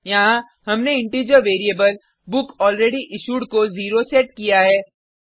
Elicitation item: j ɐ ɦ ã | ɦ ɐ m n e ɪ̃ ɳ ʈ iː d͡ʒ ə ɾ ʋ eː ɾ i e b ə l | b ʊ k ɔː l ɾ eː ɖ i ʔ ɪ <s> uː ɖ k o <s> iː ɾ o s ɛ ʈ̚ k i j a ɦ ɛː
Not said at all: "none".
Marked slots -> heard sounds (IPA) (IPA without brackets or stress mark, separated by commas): ʃ, z